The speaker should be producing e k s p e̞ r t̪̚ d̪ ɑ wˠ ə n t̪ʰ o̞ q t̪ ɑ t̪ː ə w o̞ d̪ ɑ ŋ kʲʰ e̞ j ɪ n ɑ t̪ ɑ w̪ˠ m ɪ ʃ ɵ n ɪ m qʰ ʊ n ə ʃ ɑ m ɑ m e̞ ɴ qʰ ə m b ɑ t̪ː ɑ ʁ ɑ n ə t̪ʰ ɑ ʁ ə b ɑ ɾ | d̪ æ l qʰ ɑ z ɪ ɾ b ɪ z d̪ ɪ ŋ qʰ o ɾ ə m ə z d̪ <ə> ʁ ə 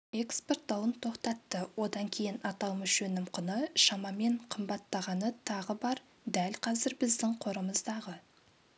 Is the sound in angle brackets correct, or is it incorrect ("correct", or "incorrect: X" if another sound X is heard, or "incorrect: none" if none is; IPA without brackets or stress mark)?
incorrect: ɑ